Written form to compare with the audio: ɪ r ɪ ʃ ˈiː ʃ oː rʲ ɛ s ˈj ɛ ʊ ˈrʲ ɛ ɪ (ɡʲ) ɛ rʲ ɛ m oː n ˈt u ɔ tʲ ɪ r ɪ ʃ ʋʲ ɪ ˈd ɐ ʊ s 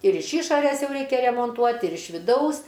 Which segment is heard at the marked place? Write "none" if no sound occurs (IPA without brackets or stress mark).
kʲ